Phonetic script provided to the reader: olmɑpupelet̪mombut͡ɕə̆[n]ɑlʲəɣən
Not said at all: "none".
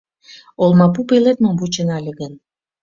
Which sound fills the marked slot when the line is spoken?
n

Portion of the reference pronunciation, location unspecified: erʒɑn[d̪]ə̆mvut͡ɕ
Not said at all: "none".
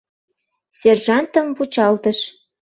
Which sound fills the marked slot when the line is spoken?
t̪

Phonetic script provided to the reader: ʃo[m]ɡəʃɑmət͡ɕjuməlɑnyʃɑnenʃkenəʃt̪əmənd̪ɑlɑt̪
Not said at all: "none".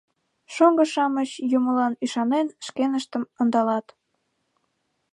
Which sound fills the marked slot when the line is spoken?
ŋ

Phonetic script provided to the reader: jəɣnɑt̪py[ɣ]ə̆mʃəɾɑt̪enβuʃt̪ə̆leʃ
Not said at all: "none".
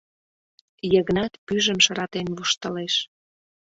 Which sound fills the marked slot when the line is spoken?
ʒ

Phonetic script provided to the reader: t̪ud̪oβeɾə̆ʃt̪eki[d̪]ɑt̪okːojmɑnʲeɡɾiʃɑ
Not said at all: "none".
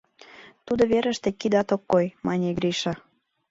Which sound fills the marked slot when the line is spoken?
d̪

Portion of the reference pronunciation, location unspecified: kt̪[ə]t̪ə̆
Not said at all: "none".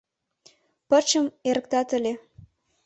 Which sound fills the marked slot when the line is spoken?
ɑ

